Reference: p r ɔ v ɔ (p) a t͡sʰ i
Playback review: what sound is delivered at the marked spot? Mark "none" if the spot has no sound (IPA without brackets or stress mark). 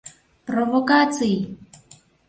k